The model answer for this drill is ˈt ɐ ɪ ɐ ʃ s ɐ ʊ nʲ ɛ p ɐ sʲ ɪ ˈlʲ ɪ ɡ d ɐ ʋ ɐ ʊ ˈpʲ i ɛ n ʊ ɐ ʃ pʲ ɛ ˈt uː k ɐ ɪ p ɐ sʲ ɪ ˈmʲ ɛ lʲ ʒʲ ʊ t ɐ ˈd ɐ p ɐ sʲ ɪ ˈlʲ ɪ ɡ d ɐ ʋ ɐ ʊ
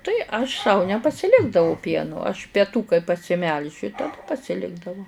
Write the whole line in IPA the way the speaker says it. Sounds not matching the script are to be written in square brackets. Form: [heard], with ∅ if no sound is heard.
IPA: ˈt ɐ ɪ ɐ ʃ s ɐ ʊ nʲ ɛ p ɐ sʲ ɪ ˈlʲ ɪ ɡ d ɐ ʋ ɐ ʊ ˈpʲ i ɛ n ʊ ɐ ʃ pʲ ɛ ˈt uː k ɐ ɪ p ɐ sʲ ɪ ˈmʲ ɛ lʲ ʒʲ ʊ t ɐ ˈd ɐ p ɐ sʲ ɪ ˈlʲ ɪ ɡ d ɐ ʋ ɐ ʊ